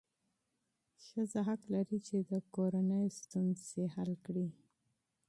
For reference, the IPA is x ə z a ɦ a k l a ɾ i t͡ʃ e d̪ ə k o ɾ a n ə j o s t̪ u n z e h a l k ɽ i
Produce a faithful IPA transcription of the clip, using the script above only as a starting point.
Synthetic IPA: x ə z a ɦ a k l a ɾ i t͡ʃ e d̪ ə k o ɾ a n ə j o s t̪ u n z e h a l k ɽ i